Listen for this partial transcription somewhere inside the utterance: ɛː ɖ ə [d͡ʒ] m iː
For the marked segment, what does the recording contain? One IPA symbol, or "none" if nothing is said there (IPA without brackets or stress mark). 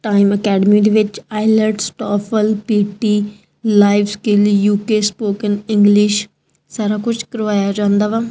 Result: none